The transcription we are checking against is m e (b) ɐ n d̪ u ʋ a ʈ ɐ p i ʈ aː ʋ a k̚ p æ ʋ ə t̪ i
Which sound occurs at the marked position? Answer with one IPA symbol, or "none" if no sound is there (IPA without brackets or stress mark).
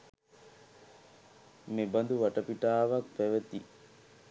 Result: b